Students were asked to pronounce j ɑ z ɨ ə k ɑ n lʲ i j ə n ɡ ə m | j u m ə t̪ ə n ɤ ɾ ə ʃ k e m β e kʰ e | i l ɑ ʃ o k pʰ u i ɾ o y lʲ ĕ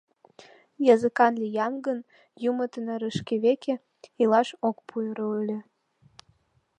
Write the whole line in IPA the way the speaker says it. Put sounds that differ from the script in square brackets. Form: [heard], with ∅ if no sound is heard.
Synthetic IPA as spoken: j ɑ z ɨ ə k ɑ n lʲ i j [ɑ] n ɡ ə [n] | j u m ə t̪ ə n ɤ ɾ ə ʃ k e [∅] β e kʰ e | i l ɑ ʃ o k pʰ u [j] ɾ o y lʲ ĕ

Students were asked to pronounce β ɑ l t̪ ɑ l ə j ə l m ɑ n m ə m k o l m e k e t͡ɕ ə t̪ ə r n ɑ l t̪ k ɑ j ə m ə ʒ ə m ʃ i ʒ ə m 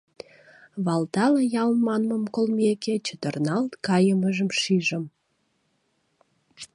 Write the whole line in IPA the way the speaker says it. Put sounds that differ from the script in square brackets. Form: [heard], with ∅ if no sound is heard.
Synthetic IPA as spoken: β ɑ l t̪ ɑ l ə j [ɑ] l m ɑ n m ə m k o l m e k e t͡ɕ ə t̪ ə r n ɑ l t̪ k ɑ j ə m ə ʒ ə m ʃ i ʒ ə m

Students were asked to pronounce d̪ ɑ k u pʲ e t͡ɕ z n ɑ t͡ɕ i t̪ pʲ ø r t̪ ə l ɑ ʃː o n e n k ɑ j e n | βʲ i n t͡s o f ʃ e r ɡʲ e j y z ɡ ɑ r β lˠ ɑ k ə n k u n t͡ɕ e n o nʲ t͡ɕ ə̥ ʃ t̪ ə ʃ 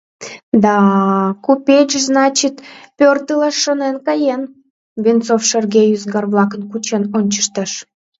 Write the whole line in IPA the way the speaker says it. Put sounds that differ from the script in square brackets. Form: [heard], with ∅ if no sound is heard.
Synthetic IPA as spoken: d̪ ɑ k u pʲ e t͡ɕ z n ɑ t͡ɕ i t̪ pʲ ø r t̪ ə l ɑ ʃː o n e n k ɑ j e n | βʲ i n t͡s o f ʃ e r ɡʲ e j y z ɡ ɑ r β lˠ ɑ k ə n k u [∅] t͡ɕ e n o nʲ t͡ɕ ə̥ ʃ t̪ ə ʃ

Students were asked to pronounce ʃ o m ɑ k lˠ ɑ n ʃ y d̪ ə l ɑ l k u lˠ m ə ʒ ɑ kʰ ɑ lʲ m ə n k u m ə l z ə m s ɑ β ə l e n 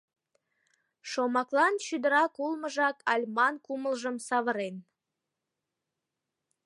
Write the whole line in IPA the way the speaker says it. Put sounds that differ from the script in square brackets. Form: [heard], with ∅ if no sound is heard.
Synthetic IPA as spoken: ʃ o m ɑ k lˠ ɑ n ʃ y d̪ ə [ɾ] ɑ [∅] k u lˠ m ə ʒ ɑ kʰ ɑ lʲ m [ɑ] n k u m ə l [ʒ] ə m s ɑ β ə [ɾ] e n

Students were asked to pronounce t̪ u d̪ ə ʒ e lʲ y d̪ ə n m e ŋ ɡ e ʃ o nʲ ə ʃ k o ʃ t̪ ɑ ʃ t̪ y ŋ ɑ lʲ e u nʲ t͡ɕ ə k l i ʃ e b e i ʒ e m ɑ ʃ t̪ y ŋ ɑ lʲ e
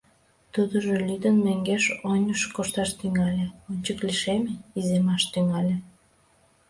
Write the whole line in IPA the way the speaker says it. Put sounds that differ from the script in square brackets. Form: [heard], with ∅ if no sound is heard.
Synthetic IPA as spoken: t̪ u d̪ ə ʒ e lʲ y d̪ ə n m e ŋ ɡ e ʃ o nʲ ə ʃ k o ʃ t̪ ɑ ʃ t̪ y ŋ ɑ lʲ e [o] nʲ t͡ɕ ə k l i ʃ e [m] e i [z] e m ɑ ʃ t̪ y ŋ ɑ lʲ e

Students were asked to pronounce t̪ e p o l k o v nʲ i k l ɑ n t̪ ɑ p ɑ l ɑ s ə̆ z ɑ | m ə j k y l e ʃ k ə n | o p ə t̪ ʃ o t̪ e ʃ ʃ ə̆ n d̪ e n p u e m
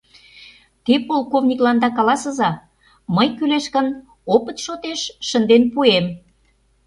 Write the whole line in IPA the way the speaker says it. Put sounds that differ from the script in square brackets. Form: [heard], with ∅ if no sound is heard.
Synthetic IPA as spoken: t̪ e p o l k o v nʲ i k l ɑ n [d̪] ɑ [k] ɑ l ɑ s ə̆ z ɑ | m ə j k y l e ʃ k ə n | o p ə t̪ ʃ o t̪ e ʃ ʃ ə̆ n d̪ e n p u e m

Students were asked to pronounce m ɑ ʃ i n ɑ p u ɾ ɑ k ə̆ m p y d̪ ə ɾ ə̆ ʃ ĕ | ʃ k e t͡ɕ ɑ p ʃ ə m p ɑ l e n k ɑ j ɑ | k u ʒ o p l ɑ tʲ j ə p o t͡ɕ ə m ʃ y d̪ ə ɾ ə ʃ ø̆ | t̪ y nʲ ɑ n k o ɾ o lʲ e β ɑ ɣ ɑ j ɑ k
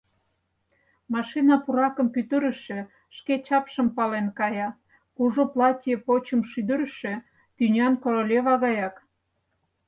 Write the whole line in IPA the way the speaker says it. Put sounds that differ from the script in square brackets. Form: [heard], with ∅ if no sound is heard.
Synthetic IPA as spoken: m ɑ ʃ i n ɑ p u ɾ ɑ k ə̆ m p y [t̪] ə ɾ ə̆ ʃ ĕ | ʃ k e t͡ɕ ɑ p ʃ ə m p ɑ l e n k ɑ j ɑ | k u ʒ o p l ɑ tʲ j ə p o t͡ɕ ə m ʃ y d̪ ə ɾ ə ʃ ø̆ | t̪ y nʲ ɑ n k o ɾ o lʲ e β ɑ ɣ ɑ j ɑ k

